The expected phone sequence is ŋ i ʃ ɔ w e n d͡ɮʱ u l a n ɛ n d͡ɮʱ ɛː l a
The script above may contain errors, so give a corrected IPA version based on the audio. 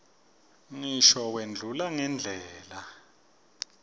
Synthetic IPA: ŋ i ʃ ɔ w e n d͡ɮʱ u l a ŋ ɛ n d͡ɮʱ ɛː l a